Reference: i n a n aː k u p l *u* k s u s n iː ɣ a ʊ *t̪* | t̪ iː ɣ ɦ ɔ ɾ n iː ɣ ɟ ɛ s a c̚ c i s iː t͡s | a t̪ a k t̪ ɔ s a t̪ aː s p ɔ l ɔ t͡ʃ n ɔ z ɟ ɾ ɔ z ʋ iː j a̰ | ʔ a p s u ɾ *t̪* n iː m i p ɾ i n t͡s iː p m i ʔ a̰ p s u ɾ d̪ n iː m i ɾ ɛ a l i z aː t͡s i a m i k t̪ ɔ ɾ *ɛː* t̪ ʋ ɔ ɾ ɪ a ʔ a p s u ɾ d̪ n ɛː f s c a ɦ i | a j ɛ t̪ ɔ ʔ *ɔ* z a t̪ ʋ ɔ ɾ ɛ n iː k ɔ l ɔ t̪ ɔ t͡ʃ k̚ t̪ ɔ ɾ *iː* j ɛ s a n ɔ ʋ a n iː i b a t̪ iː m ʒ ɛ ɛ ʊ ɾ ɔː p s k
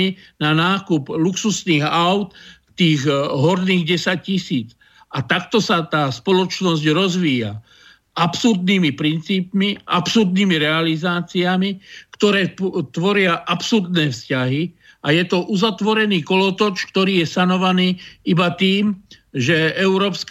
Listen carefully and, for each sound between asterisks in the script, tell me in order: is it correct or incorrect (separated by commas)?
correct, correct, incorrect, correct, incorrect, correct